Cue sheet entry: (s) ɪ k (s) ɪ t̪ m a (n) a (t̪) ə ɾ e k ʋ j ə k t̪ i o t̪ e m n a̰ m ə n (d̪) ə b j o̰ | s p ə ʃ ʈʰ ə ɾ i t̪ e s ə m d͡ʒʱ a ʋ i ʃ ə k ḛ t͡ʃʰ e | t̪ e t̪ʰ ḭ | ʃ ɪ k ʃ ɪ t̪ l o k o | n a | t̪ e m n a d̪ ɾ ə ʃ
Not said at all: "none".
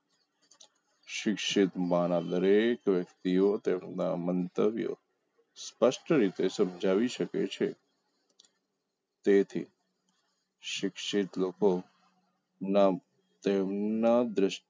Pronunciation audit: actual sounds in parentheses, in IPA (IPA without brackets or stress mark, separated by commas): ʃ, ʃ, n, d̪, t̪